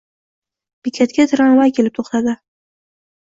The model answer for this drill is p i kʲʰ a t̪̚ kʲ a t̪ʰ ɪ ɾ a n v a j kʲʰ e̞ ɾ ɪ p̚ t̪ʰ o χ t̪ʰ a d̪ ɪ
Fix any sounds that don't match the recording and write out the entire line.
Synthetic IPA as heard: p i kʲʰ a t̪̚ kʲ a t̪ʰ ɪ ɾ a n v a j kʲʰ e̞ l ɪ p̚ t̪ʰ o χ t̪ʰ a d̪ ɪ